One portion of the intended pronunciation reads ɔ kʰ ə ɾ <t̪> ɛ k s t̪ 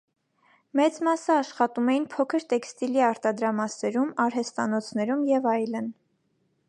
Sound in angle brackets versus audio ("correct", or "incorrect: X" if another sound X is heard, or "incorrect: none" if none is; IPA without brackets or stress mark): correct